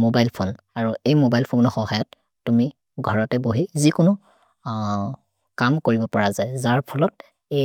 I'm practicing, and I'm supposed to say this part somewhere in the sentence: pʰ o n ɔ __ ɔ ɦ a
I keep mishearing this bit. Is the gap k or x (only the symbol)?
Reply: x